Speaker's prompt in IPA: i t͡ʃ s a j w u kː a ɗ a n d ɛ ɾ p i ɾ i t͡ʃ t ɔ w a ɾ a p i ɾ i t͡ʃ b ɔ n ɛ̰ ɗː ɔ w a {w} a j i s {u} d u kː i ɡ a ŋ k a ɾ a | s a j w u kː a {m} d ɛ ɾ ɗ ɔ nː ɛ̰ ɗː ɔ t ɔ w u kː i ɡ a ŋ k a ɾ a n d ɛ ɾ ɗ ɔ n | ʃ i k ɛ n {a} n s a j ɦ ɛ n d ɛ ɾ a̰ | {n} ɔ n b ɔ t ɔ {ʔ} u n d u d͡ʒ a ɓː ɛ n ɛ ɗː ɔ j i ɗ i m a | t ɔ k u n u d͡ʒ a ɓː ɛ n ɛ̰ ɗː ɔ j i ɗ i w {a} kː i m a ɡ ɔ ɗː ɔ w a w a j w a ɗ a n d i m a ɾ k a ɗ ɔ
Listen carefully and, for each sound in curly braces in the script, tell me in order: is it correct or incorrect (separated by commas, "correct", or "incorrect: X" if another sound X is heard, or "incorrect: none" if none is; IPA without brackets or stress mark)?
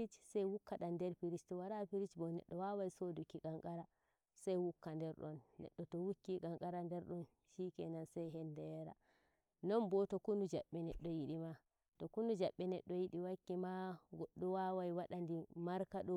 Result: correct, incorrect: o, incorrect: n, correct, correct, incorrect: k, correct